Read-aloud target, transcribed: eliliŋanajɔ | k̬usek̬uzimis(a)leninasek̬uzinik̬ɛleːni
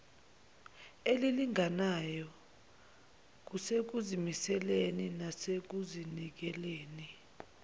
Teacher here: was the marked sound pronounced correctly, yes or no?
no